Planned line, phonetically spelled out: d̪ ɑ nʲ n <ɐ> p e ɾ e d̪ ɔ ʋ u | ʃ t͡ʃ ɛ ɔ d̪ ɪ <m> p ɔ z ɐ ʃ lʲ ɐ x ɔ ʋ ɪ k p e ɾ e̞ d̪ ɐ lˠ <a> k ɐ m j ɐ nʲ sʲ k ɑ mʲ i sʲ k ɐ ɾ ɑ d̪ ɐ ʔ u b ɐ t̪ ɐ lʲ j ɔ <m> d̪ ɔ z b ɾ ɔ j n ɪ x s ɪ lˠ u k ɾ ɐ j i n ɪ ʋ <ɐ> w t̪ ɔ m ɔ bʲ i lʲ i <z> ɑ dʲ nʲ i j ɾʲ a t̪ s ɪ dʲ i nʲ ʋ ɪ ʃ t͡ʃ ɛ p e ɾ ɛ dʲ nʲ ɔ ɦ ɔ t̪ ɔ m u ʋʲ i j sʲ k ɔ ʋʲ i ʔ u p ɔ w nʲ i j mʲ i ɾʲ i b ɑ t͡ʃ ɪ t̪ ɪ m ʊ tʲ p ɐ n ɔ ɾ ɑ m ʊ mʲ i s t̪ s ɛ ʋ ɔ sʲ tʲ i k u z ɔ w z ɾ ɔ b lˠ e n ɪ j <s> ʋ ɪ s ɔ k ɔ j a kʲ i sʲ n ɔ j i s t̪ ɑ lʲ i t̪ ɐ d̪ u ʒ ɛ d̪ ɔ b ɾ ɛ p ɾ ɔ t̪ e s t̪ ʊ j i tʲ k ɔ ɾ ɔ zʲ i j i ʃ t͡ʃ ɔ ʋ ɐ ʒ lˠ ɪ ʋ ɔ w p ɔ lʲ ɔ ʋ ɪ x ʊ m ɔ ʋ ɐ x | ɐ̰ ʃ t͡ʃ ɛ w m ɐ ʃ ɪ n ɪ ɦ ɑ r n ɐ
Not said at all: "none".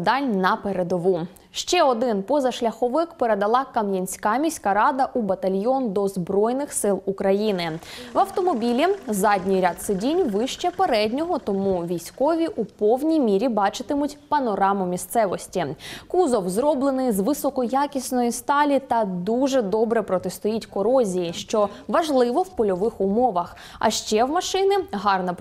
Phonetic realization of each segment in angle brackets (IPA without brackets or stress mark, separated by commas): ɐ, n, ɑ, n, ɐ, z, z